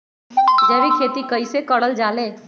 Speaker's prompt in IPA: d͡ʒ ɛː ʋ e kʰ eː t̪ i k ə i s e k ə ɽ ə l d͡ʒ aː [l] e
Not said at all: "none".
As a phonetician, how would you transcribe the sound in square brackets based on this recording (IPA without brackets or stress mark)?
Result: l